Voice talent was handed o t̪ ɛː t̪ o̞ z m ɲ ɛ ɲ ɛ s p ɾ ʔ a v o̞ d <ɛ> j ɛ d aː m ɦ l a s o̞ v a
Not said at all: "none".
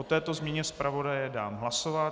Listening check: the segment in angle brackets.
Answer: a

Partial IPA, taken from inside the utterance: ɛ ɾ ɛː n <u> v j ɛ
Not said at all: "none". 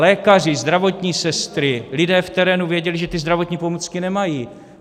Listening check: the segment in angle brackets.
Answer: u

